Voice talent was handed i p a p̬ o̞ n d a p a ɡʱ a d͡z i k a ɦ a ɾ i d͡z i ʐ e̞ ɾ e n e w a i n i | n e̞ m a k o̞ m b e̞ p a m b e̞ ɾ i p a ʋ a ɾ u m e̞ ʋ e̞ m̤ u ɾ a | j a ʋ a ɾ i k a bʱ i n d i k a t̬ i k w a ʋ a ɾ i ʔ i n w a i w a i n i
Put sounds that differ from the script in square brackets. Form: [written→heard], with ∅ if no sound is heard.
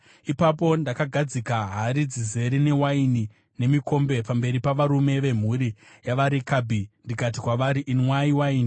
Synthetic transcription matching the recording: i p a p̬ o̞ n d a [p→k] a ɡʱ a d͡z i k a ɦ a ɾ i d͡z i [ʐ→z] e̞ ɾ [e→i] n e w a i n i | n e̞ m [a→i] k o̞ m b e̞ p a m b e̞ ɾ i p a ʋ a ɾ u m e̞ ʋ e̞ m̤ u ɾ [a→i] | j a ʋ a ɾ i k a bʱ i n d i k a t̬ i k w a ʋ a ɾ i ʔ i n w a i w a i n i